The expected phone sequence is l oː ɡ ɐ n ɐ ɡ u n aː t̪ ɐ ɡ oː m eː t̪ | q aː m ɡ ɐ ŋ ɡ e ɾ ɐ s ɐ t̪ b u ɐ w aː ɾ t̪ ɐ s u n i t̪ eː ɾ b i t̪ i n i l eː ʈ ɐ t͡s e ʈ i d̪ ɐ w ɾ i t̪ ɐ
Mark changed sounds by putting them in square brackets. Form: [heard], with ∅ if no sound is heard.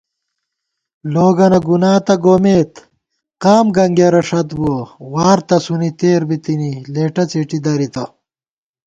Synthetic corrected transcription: l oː ɡ ɐ n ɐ ɡ u n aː t̪ ɐ ɡ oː m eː t̪ | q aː m ɡ ɐ ŋ ɡ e ɾ ɐ [ʂ] ɐ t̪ b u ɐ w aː ɾ t̪ ɐ s u n i t̪ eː ɾ b i t̪ i n i l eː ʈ ɐ t͡s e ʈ i d̪ ɐ [∅] ɾ i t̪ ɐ

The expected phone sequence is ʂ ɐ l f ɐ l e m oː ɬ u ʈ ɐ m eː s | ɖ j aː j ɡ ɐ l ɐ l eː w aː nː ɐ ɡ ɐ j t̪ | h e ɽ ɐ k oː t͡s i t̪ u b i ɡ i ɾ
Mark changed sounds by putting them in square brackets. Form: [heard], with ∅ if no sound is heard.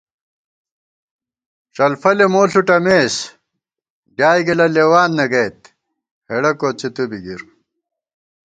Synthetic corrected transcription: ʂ ɐ l f ɐ l e m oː ɬ u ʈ ɐ m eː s | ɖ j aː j ɡ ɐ l ɐ l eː w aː nː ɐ ɡ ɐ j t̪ | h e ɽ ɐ k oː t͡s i t̪ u b i ɡ i ɾ

